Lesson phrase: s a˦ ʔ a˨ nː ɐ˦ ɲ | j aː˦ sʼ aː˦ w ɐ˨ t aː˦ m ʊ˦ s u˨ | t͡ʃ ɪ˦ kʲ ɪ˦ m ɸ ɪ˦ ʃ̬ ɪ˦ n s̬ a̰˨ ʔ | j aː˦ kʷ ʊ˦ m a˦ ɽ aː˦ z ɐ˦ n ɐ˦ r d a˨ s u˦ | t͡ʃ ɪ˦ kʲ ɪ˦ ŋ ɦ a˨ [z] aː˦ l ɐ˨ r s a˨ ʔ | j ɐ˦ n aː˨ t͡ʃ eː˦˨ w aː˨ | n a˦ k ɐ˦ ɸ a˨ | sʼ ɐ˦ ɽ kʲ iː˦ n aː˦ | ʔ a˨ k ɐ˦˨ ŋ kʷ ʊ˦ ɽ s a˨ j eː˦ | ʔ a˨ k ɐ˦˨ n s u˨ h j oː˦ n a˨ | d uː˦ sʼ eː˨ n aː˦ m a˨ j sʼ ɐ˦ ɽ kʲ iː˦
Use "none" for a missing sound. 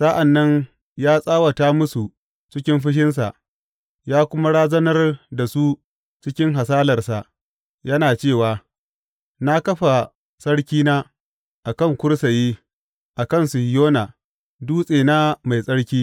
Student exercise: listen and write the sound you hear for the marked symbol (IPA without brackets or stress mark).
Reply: s